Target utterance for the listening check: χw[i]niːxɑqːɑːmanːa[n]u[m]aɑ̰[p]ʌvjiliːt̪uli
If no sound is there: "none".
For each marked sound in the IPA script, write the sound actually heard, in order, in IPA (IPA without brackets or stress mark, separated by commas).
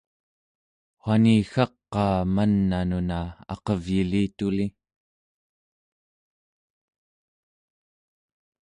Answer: a, n, n, q